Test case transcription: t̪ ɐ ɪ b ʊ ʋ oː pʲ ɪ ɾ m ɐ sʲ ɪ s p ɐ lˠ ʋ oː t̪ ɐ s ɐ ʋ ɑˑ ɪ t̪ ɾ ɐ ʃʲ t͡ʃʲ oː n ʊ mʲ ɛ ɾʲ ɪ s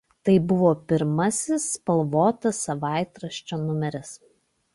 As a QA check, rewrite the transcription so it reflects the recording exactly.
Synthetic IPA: t̪ ɐ ɪ b ʊ ʋ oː pʲ ɪ ɾ m ɐ sʲ ɪ s p ɐ lˠ ʋ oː t̪ ɐ s ɐ ʋ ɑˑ ɪ t̪ ɾ ɐ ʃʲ t͡ʃʲ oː n ʊ mʲ ɛ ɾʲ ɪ s